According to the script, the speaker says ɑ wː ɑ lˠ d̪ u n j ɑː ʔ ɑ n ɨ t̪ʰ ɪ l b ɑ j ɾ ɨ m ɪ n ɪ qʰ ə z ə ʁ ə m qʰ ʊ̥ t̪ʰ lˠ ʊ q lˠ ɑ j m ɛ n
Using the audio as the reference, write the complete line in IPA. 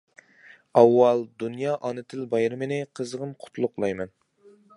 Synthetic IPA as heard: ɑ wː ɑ lˠ d̪ u n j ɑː ʔ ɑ n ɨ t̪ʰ ɪ l b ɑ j ɾ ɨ m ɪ n ɪ qʰ ə z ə ʁ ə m qʰ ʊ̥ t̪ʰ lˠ ʊ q lˠ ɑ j m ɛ n